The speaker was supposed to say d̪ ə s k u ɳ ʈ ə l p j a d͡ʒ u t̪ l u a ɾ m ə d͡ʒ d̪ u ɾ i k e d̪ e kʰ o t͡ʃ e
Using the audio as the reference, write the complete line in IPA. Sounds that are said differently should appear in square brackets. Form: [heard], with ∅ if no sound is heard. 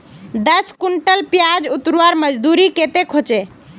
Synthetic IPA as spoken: d̪ ə s k u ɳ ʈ ə l p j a d͡ʒ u t̪ [ɾ] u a ɾ m ə d͡ʒ d̪ u ɾ i k e [t̪] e kʰ o t͡ʃ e